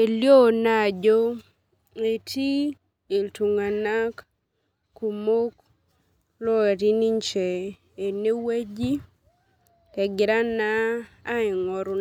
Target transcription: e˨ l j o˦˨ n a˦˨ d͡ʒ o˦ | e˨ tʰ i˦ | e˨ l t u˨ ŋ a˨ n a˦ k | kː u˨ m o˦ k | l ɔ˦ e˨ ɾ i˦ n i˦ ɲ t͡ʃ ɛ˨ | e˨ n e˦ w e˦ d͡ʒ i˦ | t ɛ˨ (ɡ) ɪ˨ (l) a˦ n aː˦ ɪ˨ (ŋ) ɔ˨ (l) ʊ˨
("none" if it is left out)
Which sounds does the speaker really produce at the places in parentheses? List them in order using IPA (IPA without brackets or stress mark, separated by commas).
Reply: ɡ, ɾ, ŋ, ɾ